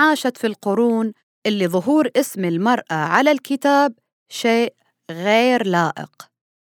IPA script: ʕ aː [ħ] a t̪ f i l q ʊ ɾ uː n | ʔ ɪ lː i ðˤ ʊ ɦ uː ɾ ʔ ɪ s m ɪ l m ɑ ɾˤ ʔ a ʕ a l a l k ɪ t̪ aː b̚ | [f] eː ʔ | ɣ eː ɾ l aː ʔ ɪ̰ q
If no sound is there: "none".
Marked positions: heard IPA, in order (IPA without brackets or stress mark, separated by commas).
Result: ʃ, ʃ